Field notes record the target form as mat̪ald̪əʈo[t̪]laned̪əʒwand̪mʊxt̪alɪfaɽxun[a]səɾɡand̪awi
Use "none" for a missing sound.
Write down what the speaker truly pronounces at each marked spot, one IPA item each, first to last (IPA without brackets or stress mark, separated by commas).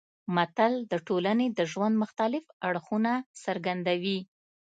none, a